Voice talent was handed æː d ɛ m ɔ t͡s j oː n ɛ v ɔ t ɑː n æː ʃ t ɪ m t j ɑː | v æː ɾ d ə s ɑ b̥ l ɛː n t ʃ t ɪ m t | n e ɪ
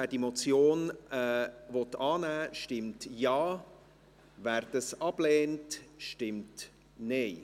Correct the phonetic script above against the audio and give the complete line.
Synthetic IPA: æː d i m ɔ t͡s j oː n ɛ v ɔ t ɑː n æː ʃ t ɪ m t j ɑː | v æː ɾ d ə s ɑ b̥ l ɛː n t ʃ t ɪ m t | n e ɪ